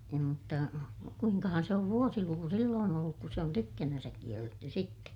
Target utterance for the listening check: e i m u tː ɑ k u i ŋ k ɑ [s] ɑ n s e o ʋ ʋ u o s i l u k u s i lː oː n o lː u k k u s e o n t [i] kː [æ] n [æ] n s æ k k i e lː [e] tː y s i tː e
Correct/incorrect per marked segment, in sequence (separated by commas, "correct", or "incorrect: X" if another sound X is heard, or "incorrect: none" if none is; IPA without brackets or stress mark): incorrect: h, incorrect: y, correct, correct, correct